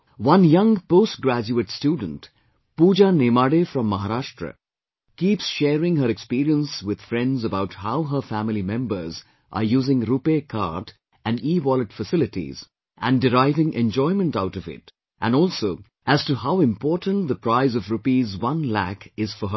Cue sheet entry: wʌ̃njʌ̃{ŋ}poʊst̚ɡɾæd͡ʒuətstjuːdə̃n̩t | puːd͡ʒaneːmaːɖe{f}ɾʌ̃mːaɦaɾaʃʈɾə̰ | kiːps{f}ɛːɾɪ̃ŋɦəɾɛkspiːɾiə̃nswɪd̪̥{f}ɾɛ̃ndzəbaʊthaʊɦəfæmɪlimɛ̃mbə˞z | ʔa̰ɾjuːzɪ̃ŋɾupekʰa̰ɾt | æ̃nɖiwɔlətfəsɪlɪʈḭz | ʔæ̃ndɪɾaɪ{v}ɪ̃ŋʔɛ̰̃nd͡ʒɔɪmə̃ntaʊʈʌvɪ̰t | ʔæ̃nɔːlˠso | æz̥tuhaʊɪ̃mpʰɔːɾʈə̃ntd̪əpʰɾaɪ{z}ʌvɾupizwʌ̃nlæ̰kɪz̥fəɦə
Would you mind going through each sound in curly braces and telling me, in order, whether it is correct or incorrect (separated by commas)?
correct, correct, incorrect, correct, correct, correct